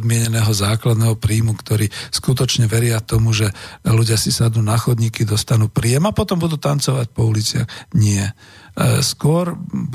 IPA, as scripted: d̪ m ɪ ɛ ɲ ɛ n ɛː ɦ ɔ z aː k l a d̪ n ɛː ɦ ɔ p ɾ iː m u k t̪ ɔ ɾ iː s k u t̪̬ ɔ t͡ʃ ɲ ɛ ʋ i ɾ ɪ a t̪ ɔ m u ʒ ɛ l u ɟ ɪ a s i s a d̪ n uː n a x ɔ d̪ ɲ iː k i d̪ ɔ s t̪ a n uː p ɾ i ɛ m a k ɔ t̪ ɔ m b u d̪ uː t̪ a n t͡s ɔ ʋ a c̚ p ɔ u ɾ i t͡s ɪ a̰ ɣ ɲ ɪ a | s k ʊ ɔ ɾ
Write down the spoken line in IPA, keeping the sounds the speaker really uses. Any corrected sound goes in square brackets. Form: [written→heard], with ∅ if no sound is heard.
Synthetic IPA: d̪ m ɪ ɛ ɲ ɛ n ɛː ɦ ɔ z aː k l a d̪ n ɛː ɦ ɔ p ɾ iː m u k t̪ ɔ ɾ iː s k u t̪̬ ɔ t͡ʃ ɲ ɛ ʋ [i→ɛ] ɾ ɪ a t̪ ɔ m u ʒ ɛ l u ɟ ɪ a s i s a d̪ n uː n a x ɔ d̪ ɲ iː k i d̪ ɔ s t̪ a n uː p ɾ i ɛ m a [k→p] ɔ t̪ ɔ m b u d̪ uː t̪ a n t͡s ɔ ʋ a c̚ p ɔ u [ɾ→l] i t͡s ɪ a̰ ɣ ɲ ɪ [a→ɛ] | s k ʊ ɔ ɾ